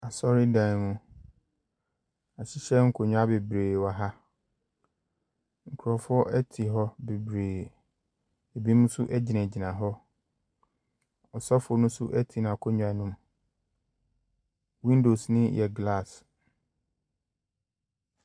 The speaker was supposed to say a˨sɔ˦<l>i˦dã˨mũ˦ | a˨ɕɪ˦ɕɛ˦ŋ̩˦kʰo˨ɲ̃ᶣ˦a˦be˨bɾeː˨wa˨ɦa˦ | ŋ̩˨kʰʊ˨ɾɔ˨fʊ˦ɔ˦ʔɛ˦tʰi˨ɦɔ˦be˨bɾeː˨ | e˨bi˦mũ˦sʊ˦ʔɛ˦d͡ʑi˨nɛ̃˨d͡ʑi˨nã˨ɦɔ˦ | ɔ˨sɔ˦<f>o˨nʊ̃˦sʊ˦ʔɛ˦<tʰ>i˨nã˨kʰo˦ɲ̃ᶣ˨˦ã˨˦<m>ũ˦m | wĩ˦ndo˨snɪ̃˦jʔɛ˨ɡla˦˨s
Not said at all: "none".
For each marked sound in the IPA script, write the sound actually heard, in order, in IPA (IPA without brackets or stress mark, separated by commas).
ɾ, f, tʰ, n